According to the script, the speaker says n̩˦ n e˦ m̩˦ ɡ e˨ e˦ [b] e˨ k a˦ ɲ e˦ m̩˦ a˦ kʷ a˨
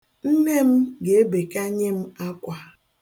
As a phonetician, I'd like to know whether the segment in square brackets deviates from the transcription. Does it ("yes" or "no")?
no